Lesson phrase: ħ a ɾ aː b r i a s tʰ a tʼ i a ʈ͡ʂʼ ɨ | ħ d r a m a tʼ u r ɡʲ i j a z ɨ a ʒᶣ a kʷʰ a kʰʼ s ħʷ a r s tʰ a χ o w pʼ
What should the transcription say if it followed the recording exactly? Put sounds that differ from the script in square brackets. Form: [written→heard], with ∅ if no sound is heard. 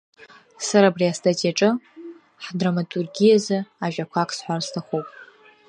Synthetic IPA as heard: [ħ→s] a ɾ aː b r i a s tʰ a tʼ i a ʈ͡ʂʼ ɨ | ħ d r a m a tʼ u r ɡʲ i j a z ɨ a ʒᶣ a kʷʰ a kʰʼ s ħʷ a r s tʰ a χ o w pʼ